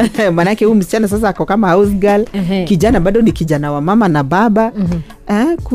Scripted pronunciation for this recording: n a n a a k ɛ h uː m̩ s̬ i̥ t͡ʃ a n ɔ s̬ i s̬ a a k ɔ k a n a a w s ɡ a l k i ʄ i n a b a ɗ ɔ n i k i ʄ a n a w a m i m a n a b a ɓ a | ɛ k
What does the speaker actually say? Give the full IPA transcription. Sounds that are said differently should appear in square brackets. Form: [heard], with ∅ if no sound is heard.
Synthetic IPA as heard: [m] a n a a k ɛ h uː m̩ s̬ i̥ t͡ʃ a n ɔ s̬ [a] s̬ a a k ɔ k a [m] a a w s ɡ a l k i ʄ [a] n a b a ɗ ɔ n i k i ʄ a n a w a m [a] m a n a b a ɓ a | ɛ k